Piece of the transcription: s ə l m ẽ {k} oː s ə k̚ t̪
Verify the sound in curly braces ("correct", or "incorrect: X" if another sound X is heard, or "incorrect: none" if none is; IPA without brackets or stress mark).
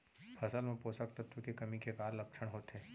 incorrect: p